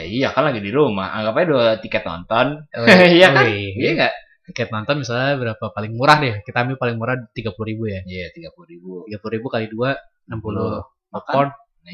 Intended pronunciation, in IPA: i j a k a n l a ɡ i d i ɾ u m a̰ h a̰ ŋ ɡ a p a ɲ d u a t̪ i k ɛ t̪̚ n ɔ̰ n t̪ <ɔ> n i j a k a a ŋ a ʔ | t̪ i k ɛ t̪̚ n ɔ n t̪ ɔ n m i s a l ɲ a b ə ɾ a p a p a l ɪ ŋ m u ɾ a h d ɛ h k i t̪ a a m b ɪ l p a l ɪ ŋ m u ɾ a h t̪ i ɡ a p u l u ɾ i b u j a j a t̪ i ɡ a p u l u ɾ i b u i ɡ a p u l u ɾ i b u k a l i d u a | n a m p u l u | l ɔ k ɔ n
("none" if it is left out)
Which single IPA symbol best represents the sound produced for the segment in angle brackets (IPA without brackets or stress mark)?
ɔ